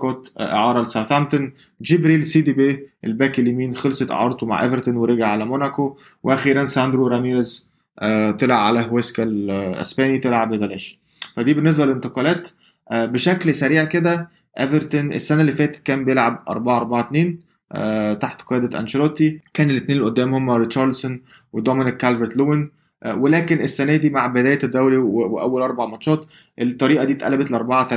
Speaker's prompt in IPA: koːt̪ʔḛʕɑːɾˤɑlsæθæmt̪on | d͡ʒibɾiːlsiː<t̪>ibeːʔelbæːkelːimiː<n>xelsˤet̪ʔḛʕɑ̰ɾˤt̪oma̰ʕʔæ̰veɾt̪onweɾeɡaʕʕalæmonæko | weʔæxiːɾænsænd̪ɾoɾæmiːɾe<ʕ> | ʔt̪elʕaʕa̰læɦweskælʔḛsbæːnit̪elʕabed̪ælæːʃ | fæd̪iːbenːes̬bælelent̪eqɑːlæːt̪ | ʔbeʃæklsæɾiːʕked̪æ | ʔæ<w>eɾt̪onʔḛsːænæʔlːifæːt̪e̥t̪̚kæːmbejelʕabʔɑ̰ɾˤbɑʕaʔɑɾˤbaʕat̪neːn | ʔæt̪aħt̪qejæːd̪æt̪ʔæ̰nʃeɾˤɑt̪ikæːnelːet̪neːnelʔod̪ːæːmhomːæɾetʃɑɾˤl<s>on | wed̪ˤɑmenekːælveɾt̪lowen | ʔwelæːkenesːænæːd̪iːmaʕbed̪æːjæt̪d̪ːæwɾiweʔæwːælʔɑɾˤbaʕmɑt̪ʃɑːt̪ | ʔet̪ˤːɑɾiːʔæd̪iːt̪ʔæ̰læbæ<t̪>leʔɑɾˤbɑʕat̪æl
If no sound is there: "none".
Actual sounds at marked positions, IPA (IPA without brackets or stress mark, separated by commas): d̪, n, z, v, s, t̪